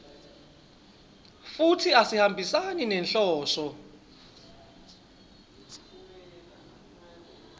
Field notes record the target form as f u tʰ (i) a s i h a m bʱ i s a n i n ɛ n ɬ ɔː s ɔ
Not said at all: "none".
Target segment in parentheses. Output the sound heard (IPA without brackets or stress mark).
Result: i